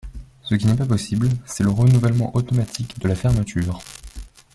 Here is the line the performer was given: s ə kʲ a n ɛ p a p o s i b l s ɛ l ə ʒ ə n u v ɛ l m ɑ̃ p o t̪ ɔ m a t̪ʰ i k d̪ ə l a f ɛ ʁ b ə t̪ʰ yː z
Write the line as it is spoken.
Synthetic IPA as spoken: s ə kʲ i n ɛ p a p ɔ s i b l s ɛ l ə ʁ ə n u v ɛ l m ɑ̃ ʔ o t̪ ɔ m a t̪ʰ i k d̪ ə l a f ɛ ʁ m ə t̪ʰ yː ʁ